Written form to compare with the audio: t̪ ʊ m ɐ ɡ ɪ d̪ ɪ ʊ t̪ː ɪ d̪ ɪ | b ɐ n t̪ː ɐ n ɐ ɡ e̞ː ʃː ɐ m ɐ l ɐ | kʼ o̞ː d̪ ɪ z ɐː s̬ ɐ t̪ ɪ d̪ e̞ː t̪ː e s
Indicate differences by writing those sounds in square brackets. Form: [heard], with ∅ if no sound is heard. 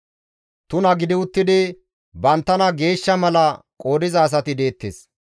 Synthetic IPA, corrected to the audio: t̪ ʊ [n] ɐ ɡ ɪ d̪ ɪ ʊ t̪ː ɪ d̪ ɪ | b ɐ n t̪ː ɐ n ɐ ɡ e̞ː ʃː ɐ m ɐ l ɐ | kʼ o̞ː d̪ ɪ z ɐː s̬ ɐ t̪ ɪ d̪ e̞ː t̪ː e s